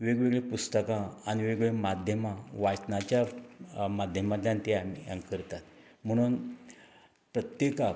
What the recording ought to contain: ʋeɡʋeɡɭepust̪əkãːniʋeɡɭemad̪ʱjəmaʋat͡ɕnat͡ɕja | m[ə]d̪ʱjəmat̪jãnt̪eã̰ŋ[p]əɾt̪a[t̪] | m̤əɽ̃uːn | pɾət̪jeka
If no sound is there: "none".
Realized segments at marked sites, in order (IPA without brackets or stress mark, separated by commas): a, k, t̪